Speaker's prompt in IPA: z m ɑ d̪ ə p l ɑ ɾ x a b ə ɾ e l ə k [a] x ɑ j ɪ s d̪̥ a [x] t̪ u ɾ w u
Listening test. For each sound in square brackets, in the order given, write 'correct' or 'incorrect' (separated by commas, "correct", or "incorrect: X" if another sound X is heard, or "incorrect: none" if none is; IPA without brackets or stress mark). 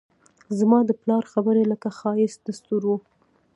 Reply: correct, incorrect: s